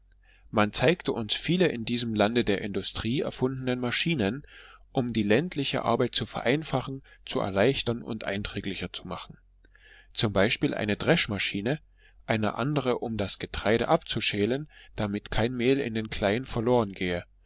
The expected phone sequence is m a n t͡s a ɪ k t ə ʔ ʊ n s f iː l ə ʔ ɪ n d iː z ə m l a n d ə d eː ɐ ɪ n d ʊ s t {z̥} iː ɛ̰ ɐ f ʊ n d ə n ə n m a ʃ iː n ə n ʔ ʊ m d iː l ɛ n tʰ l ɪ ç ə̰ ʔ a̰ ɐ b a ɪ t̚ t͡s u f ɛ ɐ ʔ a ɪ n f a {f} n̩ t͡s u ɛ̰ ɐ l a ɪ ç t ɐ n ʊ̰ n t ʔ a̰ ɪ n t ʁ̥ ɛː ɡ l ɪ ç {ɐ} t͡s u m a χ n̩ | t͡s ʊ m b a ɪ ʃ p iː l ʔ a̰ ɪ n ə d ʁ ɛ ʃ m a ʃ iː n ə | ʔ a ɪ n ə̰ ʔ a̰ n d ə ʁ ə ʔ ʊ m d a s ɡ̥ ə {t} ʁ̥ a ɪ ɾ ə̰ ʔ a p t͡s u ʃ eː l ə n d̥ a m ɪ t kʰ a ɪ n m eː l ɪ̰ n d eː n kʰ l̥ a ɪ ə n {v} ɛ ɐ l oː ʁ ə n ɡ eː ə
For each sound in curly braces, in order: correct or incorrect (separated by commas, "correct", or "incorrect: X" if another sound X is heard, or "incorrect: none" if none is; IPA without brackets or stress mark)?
incorrect: ʁ̥, incorrect: χ, correct, correct, incorrect: f